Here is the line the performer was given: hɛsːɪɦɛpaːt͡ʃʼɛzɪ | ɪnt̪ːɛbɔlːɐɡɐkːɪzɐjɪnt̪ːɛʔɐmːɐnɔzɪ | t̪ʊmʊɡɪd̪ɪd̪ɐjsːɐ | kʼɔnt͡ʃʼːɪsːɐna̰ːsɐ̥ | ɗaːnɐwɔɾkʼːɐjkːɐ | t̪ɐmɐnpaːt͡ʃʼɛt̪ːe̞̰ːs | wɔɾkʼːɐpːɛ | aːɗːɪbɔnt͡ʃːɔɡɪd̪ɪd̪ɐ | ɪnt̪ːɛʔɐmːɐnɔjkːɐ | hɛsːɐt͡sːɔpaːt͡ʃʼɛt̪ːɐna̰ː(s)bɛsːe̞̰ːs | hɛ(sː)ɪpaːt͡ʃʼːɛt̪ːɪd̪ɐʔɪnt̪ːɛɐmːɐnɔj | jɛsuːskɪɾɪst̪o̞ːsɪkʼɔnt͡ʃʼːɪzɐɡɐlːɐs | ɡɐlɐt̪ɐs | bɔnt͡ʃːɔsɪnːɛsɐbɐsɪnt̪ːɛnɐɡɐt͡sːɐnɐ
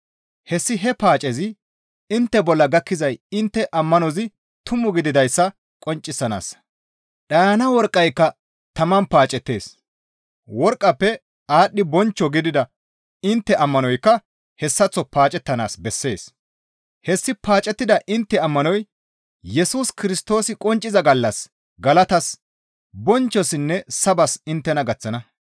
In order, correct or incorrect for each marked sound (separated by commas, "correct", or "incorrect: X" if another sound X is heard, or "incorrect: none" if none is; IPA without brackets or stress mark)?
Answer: correct, correct